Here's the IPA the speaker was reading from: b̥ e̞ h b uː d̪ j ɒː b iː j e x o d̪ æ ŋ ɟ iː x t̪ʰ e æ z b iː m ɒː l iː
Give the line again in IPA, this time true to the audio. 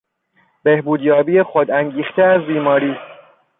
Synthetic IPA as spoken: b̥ e̞ h b uː d̪ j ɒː b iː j e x o d̪ æ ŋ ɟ iː x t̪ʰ e æ z b iː m ɒː ɾ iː